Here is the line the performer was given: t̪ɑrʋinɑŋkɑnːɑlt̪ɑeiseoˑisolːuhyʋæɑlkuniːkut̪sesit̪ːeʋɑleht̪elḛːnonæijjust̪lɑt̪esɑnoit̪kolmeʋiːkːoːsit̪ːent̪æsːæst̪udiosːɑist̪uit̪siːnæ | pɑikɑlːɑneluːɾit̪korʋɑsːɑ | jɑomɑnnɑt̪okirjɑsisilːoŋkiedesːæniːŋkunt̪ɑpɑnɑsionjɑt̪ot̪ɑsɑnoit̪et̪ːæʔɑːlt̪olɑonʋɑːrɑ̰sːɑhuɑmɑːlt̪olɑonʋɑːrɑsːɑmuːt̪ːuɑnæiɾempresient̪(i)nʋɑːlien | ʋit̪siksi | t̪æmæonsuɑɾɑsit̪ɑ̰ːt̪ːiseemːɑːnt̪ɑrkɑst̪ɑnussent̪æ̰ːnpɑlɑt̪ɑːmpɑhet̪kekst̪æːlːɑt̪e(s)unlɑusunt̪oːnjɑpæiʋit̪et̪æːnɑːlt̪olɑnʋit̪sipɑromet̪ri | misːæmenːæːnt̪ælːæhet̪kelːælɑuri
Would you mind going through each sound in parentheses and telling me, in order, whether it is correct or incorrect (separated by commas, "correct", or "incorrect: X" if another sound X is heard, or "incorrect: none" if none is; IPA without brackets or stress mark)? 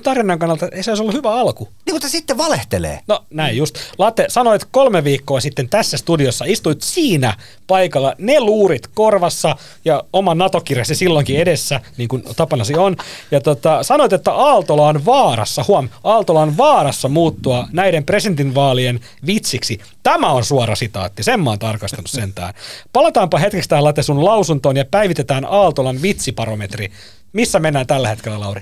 correct, correct